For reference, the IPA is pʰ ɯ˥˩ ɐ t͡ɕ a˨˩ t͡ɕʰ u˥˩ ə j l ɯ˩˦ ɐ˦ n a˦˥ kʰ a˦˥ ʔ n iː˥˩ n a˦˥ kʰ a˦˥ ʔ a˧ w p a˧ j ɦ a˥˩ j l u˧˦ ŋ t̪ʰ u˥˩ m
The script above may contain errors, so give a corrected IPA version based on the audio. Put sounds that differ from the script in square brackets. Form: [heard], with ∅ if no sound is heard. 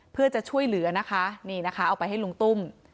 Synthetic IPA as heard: pʰ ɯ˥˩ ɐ t͡ɕ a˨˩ t͡ɕʰ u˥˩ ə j l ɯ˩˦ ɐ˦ n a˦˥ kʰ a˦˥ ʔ n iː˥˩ n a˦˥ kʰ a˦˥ ʔ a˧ w p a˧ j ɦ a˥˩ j l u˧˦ ŋ [t̪] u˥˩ m